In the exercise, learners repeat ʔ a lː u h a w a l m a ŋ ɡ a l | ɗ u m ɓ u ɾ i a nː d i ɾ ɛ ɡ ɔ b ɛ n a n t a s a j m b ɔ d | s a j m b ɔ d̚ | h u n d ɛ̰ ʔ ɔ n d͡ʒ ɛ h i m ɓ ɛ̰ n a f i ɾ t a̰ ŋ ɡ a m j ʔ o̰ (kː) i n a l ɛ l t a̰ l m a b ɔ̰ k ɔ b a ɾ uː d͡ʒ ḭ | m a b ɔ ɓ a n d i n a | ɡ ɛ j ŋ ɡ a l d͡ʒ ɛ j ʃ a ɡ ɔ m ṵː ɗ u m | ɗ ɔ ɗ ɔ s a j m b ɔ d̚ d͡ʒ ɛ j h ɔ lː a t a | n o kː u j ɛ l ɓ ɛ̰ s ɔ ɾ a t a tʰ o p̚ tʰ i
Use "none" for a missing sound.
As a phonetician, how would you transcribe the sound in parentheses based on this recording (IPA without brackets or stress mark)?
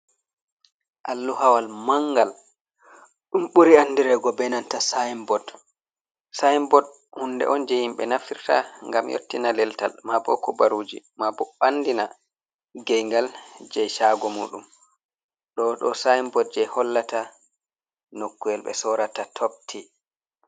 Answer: tː